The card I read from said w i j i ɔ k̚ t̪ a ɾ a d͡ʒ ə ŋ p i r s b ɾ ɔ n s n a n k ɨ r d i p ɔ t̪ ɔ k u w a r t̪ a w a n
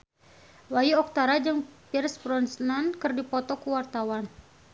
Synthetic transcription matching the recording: w a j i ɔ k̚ t̪ a ɾ a d͡ʒ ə ŋ p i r s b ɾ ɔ n s n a n k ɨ r d i p ɔ t̪ ɔ k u w a r t̪ a w a n

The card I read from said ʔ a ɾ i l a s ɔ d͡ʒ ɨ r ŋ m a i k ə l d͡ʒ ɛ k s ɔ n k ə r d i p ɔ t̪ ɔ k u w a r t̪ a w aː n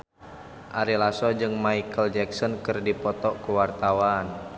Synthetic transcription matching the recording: ʔ a ɾ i l a s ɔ d͡ʒ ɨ ŋ m a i k ə l d͡ʒ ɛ k s ɔ n k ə r d i p ɔ t̪ ɔ k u w a r t̪ a w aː n

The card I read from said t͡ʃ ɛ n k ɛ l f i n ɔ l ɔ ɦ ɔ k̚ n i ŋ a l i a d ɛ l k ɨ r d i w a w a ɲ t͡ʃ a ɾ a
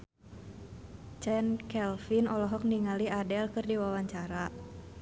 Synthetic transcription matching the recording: t͡ʃ ɛ n k ɛ l f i n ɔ l ɔ ɦ ɔ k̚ n i ŋ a l i a d ɛ l k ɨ r d i w a w a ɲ t͡ʃ a ɾ a

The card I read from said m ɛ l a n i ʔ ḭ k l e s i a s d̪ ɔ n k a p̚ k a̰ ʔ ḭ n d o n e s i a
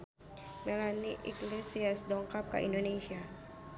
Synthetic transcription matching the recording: m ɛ l a n i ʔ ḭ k l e s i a s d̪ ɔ ŋ k a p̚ k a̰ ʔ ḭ n d o n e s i a

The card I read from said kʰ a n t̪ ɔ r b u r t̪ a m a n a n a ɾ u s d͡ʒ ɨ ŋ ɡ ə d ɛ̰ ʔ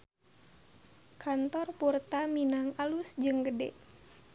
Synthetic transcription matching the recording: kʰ a n t̪ ɔ r p u r t̪ a m i n a ŋ a l u s d͡ʒ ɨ ŋ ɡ ə d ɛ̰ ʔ

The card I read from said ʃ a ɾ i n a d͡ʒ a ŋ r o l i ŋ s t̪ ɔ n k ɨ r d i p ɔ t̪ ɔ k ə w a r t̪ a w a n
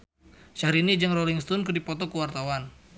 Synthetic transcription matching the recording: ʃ a ɾ i n i d͡ʒ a ŋ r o l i ŋ s t̪ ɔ n k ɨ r d i p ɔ t̪ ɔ k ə w a r t̪ a w a n

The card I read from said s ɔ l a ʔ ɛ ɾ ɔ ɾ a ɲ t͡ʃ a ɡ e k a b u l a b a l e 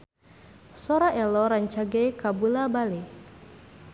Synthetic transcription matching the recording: s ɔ ɾ a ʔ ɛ l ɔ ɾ a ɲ t͡ʃ a ɡ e k a b u l a b a l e

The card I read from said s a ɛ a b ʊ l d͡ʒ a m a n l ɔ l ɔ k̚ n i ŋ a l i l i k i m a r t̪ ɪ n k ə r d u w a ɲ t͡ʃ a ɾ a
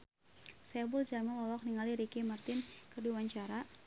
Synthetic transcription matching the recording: s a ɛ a b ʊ l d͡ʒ a m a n l ɔ l ɔ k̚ n i ŋ a l i ɾ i k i m a r t̪ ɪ n k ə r d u w a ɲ t͡ʃ a ɾ a

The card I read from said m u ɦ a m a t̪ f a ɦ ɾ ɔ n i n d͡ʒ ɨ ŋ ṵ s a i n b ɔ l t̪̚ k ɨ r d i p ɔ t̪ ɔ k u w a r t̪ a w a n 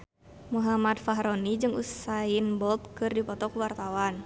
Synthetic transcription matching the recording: m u ɦ a m a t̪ f a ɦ ɾ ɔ n i d͡ʒ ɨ ŋ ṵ s a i n b ɔ l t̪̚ k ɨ r d i p ɔ t̪ ɔ k u w a r t̪ a w a n

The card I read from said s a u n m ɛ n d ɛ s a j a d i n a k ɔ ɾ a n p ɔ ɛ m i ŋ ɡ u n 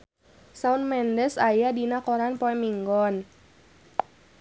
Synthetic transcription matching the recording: s a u n m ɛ n d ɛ s a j a d i n a k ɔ ɾ a n p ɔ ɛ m i ŋ ɡ ɔ n

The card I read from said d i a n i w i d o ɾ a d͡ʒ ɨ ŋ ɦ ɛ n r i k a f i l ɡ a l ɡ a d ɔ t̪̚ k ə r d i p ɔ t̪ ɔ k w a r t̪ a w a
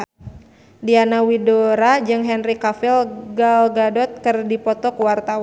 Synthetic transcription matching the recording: d i a n a w i d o ɾ a d͡ʒ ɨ ŋ ɦ ɛ n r i k a f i l ɡ a l ɡ a d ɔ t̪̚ k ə r d i p ɔ t̪ ɔ k w a r t̪ a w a

